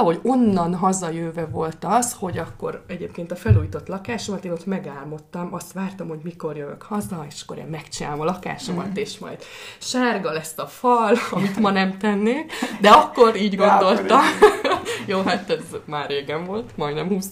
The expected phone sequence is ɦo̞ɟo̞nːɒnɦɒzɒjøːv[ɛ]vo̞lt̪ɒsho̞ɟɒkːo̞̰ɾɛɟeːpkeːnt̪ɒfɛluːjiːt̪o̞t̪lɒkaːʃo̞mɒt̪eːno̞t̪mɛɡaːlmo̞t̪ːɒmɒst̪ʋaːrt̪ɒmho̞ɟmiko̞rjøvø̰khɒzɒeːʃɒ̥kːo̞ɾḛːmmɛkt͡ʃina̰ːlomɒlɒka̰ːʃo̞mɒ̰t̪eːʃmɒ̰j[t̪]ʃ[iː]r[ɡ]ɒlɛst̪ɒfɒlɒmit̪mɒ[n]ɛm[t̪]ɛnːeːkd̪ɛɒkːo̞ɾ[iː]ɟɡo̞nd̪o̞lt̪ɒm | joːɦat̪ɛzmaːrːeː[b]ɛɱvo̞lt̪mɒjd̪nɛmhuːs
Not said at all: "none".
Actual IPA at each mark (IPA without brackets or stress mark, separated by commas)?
ɛ, d̪, aː, ɡ, n, t̪, iː, ɡ